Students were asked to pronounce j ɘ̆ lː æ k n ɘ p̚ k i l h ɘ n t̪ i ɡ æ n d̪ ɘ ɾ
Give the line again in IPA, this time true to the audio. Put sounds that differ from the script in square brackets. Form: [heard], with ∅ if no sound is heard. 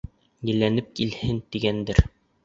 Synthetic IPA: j ɘ̆ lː æ [∅] n ɘ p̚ k i l h ɘ n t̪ i ɡ æ n d̪ ɘ ɾ